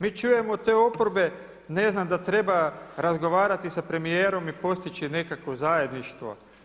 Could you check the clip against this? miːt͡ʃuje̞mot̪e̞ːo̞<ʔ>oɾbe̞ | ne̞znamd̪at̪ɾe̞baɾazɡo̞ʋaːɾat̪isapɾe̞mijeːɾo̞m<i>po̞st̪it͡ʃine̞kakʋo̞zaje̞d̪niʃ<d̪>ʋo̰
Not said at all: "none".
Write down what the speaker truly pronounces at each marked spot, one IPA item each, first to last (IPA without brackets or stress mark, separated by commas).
p, i, t̪